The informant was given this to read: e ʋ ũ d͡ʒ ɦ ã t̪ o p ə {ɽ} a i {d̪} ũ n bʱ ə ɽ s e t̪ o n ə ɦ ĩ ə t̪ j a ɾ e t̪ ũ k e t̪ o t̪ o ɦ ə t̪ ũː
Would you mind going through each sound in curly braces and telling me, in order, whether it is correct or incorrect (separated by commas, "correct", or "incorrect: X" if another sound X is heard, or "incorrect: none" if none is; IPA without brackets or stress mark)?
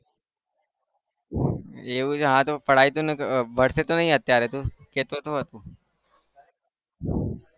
correct, incorrect: t̪